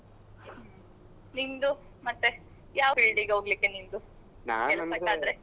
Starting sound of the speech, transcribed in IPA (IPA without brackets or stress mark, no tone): n